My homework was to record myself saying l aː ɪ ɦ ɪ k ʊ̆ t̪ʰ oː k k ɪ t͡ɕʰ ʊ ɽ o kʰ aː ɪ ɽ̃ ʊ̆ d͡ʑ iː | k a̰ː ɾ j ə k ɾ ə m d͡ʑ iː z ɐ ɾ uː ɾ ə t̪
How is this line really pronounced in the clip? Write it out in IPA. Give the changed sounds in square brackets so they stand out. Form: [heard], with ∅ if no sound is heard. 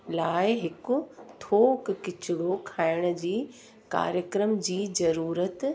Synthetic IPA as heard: l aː ɪ ɦ ɪ k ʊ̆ t̪ʰ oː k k ɪ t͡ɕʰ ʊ ɽ o kʰ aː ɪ ɽ̃ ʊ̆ d͡ʑ iː | k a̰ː ɾ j ə k ɾ ə m d͡ʑ iː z ɐ ɾ uː ɾ ə t̪